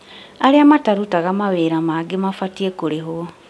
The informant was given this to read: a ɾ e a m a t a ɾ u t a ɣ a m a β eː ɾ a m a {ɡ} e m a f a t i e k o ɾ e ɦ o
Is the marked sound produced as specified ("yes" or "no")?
yes